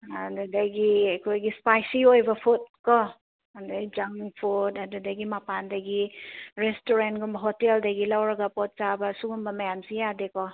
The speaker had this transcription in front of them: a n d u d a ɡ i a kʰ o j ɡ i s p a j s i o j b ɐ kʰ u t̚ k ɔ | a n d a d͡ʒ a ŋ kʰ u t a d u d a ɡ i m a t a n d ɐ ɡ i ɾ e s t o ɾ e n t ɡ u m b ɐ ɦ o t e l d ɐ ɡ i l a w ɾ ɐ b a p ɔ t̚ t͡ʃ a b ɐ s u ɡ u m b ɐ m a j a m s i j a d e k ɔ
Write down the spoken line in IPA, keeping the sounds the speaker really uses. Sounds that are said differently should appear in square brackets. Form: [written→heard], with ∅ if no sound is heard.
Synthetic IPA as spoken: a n d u d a ɡ i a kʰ o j ɡ i s p a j s i o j b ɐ [kʰ→pʰ] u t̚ k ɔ | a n d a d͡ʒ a ŋ [kʰ→pʰ] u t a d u d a ɡ i m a [t→p] a n d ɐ ɡ i ɾ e s t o ɾ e n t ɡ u m b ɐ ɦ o t e l d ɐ ɡ i l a w ɾ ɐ [b→ɡ] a p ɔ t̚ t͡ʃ a b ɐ s u ɡ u m b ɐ m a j a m s i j a d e k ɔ